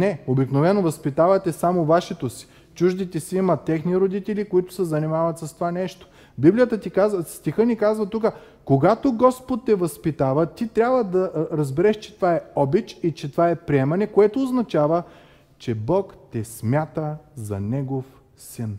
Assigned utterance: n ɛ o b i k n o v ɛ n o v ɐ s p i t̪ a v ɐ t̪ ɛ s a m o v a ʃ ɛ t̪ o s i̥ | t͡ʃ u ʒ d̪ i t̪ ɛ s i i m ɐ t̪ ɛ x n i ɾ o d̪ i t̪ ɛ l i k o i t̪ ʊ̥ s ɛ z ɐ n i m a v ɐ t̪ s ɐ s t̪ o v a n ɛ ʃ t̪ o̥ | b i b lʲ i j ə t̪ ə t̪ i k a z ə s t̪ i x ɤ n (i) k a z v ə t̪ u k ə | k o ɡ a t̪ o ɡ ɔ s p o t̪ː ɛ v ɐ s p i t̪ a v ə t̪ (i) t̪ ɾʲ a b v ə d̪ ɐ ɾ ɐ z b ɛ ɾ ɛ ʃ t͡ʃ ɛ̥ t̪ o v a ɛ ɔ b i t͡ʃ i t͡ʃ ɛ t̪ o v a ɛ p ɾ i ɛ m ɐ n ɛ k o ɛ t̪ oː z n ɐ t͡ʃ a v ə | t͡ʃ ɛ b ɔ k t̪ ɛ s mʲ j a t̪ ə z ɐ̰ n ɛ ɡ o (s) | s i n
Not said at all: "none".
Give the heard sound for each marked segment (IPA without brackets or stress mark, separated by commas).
i, i, f